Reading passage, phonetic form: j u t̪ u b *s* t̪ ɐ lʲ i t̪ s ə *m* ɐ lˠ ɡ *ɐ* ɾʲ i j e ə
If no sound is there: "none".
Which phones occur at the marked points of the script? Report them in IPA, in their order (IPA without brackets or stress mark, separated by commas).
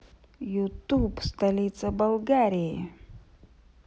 s, b, a